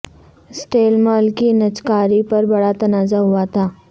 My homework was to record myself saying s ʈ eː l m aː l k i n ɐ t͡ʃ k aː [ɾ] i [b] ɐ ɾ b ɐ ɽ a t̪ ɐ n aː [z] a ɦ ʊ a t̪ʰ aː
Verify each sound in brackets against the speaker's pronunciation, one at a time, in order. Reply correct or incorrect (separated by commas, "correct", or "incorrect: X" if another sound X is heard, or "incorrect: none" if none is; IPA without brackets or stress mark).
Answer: correct, incorrect: p, correct